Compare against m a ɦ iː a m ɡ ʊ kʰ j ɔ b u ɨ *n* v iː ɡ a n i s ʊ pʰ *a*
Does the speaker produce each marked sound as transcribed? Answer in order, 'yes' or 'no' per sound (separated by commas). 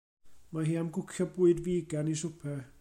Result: no, no